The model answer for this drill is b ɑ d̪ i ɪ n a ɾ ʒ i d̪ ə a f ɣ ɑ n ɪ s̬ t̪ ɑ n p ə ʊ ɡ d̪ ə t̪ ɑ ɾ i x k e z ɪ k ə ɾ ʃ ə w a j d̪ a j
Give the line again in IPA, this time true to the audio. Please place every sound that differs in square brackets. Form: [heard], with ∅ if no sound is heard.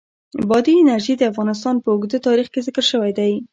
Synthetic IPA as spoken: b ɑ d̪ i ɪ n a ɾ ʒ i d̪ ə a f ɣ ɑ n ɪ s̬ t̪ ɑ n p ə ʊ ɡ d̪ ə t̪ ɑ ɾ i x k e z ɪ k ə ɾ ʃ ə w a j d̪ a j

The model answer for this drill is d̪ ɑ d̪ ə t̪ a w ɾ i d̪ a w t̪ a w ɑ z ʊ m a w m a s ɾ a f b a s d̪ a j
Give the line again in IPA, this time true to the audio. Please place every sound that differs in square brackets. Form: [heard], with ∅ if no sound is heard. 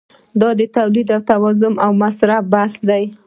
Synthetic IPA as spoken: d̪ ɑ d̪ ə t̪ a w [l] i d̪ a w t̪ a w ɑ z ʊ m a w m a s ɾ a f b a s d̪ a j

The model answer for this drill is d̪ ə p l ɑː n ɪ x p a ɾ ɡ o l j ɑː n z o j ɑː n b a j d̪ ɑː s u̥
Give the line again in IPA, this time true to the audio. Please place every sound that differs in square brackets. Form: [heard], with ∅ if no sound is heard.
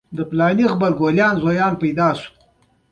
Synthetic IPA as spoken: d̪ ə p l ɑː n [i] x [b] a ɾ ɡ o l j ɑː n z o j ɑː n [p] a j d̪ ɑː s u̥

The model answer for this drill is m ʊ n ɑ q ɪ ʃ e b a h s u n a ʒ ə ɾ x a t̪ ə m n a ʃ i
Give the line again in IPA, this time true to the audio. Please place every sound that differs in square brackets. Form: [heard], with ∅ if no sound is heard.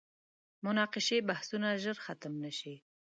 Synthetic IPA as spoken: m ʊ n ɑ q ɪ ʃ e b a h s u n a ʒ ə ɾ x a t̪ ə m n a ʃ i

